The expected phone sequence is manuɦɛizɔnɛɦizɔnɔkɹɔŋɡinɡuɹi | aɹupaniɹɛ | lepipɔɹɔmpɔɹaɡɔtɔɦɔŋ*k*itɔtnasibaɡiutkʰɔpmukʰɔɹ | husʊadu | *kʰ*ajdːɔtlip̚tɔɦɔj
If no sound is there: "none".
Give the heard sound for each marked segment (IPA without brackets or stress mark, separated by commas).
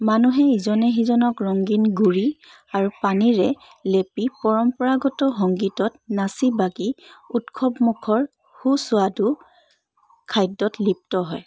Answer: ɡ, kʰ